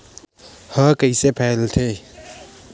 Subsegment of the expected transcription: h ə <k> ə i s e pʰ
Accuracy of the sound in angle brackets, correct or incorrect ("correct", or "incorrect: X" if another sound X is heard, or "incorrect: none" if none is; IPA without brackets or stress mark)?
correct